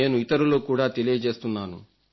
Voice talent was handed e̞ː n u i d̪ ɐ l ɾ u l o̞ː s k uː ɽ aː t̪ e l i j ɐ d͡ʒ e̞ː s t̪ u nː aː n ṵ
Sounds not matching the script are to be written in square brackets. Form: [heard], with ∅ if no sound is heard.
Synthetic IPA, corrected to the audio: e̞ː n u i [t̪] ɐ [∅] ɾ u l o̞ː [∅] k uː ɽ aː t̪ e l i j ɐ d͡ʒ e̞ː s t̪ u nː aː n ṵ

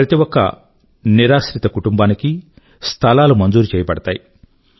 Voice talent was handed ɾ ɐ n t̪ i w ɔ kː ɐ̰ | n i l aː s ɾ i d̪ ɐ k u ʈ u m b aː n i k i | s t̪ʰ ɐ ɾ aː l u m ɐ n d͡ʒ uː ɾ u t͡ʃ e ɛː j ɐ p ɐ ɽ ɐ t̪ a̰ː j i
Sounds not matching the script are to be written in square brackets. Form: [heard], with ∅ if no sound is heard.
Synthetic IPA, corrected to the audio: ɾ ɐ [∅] t̪ i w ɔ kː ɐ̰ | n i [ɾ] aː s ɾ i [t̪] ɐ k u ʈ u m b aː n i k i | s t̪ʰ ɐ [l] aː l u m ɐ n d͡ʒ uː ɾ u t͡ʃ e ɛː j ɐ p ɐ ɽ ɐ t̪ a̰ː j i

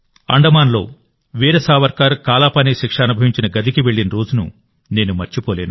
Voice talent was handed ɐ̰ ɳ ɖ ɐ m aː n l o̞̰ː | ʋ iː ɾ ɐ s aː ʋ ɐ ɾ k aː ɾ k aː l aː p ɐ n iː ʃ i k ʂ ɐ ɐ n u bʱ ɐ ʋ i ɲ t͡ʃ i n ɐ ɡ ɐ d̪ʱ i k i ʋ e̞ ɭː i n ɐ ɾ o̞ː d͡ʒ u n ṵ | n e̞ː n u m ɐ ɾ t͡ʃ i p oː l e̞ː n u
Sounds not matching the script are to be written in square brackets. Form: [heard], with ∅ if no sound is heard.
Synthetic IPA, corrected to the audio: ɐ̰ ɳ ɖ ɐ m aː n l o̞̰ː | ʋ iː ɾ ɐ s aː ʋ ɐ ɾ k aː ɾ k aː l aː p ɐ n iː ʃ i k ʂ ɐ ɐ n u bʱ ɐ ʋ i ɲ t͡ʃ i n ɐ ɡ ɐ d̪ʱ i k i ʋ e̞ ɭː i n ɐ ɾ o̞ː d͡ʒ u n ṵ | n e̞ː n u m ɐ ɾ t͡ʃ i p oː l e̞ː n u

